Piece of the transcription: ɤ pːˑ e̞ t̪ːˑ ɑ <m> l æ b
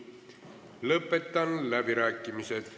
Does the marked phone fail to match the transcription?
yes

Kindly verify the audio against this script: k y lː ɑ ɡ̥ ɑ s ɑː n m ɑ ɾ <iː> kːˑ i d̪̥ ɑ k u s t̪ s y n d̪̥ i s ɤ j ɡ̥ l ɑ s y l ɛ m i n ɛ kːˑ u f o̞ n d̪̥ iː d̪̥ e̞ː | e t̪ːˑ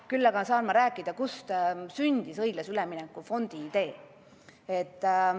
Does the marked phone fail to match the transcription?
yes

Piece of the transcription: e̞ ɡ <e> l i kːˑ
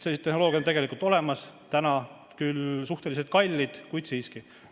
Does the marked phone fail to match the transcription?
no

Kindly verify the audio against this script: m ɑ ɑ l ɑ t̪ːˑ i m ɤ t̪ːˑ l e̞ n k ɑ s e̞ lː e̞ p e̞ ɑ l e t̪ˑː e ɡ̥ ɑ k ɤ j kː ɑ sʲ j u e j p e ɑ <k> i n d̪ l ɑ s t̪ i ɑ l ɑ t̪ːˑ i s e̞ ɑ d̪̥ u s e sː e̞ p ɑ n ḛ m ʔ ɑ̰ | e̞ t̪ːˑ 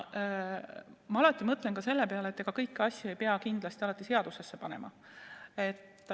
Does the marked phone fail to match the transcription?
no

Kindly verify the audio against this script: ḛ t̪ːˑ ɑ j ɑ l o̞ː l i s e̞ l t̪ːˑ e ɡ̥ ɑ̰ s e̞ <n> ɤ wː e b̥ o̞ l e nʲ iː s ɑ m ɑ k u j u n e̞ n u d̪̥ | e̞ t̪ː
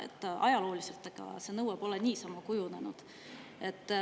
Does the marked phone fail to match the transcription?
no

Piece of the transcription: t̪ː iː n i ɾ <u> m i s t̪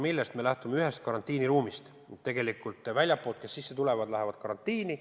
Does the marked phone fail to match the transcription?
yes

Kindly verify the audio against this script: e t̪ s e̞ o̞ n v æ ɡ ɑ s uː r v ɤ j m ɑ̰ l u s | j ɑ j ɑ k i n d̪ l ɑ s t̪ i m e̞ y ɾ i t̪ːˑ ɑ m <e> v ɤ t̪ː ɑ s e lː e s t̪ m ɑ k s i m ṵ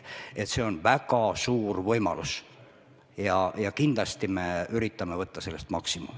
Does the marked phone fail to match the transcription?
no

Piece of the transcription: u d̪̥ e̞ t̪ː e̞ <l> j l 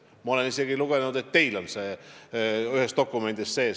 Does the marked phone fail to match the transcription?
yes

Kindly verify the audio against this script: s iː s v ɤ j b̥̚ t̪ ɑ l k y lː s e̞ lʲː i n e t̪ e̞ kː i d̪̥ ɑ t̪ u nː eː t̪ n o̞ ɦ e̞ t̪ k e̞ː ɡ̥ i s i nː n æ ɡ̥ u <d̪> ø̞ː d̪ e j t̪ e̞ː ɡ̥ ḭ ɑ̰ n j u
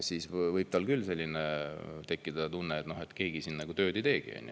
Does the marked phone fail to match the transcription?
yes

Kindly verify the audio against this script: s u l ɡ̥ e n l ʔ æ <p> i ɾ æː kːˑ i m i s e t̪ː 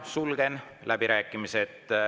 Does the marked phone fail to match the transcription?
yes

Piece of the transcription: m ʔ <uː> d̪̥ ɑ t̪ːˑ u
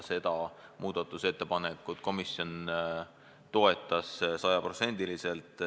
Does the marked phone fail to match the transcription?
no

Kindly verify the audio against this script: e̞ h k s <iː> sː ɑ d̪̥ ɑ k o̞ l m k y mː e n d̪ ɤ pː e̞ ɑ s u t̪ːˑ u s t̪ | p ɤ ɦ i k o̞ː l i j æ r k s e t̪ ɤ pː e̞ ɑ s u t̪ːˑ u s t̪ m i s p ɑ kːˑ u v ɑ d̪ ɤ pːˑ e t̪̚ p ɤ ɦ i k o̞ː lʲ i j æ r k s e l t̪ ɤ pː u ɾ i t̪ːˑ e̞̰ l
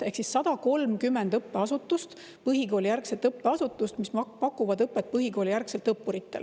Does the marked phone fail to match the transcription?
yes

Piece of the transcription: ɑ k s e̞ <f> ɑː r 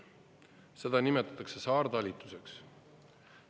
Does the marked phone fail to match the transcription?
yes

